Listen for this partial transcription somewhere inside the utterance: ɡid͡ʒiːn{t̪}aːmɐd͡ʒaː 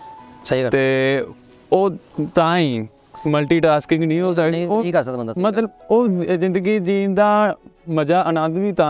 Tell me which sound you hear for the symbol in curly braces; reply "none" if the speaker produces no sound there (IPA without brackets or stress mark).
d̪